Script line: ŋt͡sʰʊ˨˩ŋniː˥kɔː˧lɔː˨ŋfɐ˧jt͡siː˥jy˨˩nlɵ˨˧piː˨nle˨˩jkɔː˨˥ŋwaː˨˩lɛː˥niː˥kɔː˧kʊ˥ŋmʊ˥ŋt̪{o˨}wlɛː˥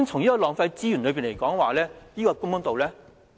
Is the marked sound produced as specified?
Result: yes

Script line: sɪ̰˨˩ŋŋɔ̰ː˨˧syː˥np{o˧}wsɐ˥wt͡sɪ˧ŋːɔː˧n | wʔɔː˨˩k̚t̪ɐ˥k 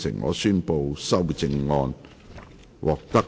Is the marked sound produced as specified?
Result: yes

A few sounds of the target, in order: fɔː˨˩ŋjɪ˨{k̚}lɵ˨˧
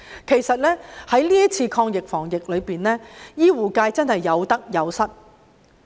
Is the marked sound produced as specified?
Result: yes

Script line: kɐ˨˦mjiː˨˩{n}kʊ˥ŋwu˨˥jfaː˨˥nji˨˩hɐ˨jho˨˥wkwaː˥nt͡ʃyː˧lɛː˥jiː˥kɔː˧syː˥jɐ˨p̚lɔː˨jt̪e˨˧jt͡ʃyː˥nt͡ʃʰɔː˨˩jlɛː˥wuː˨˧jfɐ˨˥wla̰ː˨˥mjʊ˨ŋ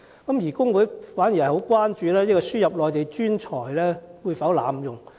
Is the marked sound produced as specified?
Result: no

